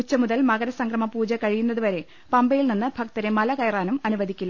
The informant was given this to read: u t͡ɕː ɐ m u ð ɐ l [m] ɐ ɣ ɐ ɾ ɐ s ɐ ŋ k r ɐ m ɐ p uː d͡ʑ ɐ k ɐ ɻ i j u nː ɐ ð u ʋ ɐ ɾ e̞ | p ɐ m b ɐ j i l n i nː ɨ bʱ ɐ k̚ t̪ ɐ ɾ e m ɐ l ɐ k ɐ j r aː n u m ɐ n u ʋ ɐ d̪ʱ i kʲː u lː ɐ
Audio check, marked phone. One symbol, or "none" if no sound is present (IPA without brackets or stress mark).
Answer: m